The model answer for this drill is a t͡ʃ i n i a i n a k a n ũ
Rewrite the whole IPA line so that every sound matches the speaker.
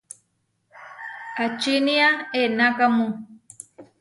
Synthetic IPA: a t͡ʃ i n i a e n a k a m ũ